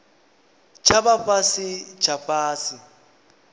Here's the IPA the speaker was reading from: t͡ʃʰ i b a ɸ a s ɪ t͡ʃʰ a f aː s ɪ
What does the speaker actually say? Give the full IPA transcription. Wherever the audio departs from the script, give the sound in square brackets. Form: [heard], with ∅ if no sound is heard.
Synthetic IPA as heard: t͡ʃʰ [a] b a ɸ a s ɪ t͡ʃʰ a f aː s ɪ